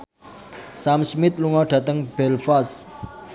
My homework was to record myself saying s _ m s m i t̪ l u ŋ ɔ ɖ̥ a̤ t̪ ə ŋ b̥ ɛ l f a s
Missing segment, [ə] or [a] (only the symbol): a